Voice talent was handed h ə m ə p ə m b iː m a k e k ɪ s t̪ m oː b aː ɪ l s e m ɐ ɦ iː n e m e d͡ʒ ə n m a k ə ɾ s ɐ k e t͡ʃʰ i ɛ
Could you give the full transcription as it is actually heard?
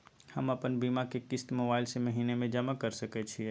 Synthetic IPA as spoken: h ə m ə p ə n b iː m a k e k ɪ s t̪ m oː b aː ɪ l s e m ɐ ɦ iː n e m ẽ d͡ʒ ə m a k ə ɾ s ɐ k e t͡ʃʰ i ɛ